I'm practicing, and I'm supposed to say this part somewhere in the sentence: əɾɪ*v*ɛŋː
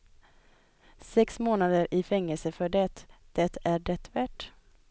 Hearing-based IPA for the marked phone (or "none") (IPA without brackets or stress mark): f